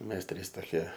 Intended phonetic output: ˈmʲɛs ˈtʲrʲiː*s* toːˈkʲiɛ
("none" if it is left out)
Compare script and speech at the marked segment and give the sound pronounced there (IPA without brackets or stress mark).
s